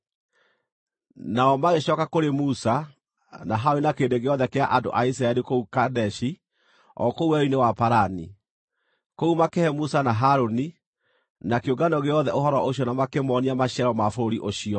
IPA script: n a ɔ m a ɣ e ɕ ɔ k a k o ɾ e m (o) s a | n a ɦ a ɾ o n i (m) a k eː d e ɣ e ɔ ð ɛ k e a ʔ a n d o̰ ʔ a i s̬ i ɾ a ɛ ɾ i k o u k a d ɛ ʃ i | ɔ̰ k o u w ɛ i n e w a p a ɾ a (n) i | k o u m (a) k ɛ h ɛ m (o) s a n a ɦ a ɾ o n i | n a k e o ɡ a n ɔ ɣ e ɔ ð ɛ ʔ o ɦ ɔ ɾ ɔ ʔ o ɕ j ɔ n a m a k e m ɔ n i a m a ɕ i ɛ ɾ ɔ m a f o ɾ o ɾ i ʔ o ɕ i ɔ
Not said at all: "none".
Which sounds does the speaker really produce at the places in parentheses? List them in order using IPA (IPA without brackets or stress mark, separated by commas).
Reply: u, n, n, a, u